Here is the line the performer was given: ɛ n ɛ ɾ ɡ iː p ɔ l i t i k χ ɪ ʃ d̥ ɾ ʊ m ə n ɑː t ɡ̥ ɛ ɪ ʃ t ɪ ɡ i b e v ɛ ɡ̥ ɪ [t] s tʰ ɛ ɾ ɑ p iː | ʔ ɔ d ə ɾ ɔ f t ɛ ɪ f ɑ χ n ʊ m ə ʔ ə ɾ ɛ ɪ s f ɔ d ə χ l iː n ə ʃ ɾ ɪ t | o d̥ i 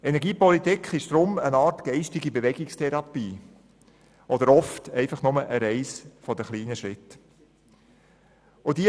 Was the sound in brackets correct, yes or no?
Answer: no